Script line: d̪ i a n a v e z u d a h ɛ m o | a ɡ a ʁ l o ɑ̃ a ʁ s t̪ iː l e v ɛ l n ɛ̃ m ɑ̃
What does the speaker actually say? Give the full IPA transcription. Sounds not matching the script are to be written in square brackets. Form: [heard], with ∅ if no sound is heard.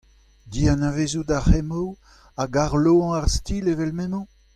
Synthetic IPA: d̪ i a n a v e z u d a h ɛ m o | a ɡ a ʁ l o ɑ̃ a ʁ s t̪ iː l e v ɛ l [m] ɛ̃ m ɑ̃